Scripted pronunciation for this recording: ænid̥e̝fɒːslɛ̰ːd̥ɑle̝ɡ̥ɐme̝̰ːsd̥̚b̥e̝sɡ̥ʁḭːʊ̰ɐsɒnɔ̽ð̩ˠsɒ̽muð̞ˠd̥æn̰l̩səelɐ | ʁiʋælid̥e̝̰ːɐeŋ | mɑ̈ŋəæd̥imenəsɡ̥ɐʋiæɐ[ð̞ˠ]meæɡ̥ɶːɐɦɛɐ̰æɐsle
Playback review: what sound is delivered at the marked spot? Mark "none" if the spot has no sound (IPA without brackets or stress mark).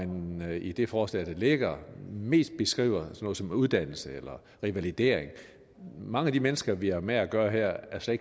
none